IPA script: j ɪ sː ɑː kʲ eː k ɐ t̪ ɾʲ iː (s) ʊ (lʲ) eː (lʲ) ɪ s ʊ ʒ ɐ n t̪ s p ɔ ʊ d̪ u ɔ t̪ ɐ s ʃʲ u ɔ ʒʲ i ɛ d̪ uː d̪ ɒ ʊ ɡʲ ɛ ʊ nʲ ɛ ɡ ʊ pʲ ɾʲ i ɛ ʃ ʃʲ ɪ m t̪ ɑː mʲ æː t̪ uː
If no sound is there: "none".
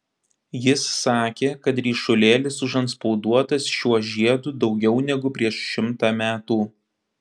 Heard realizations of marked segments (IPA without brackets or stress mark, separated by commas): ʃ, lʲ, lʲ